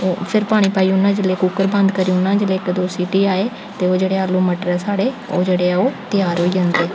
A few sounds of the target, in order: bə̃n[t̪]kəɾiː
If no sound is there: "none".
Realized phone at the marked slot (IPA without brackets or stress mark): d̪